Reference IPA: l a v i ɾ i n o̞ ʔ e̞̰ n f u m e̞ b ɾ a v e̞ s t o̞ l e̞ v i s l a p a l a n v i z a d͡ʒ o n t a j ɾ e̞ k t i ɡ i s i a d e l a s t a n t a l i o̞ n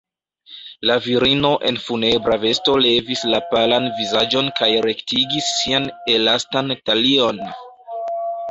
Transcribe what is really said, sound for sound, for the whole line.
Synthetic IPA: l a v i ɾ i n o̞ ʔ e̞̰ n f u n e̞ b ɾ a v e̞ s t o̞ l e̞ v i s l a p a l a n v i z a d͡ʒ o n k a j ɾ e̞ k t i ɡ i sː i a n e l a s t a n t a l i o̞ n